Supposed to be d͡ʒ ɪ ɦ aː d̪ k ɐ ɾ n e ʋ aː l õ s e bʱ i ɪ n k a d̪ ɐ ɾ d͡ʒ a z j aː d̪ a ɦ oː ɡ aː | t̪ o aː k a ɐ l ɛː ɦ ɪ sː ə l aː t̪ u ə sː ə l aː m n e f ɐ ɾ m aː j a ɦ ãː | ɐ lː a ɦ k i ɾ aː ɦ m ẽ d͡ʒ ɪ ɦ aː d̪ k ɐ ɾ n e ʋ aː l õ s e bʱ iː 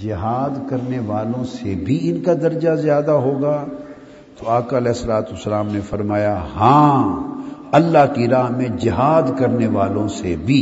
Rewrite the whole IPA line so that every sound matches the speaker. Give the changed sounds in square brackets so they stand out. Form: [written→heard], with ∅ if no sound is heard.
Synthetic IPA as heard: d͡ʒ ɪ ɦ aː d̪ k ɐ ɾ n e ʋ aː l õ s e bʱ i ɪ n k a d̪ ɐ ɾ d͡ʒ a z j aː d̪ a ɦ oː ɡ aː | t̪ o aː k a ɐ l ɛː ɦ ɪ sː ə l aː t̪ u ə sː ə l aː m n e f ɐ ɾ m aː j a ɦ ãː | ɐ lː a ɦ k i ɾ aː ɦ m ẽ d͡ʒ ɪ ɦ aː d̪ k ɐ ɾ n e ʋ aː l õ s e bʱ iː